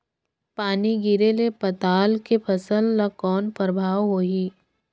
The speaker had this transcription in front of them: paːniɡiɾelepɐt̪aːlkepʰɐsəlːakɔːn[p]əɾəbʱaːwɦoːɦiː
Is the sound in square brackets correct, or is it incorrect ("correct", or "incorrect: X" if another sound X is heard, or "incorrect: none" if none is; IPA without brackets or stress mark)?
correct